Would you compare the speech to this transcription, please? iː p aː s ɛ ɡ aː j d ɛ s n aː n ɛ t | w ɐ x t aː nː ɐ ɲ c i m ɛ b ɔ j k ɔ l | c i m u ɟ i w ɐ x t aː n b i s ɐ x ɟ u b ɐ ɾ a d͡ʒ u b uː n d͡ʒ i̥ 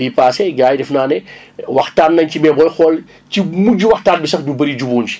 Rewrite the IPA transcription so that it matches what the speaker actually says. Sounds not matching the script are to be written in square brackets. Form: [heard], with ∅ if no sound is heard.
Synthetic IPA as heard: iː p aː s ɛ ɡ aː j d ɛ [f] n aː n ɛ [∅] | w ɐ x t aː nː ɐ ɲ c i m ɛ b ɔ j [x] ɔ l | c i m u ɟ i w ɐ x t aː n b i s ɐ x [d] u b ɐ ɾ [i] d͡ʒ u b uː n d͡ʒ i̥